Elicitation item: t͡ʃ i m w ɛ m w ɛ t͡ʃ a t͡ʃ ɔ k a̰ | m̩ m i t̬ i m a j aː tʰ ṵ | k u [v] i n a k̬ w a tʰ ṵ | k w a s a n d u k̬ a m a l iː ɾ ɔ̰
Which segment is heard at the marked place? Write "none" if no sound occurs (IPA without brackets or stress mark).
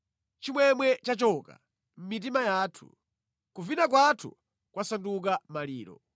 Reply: v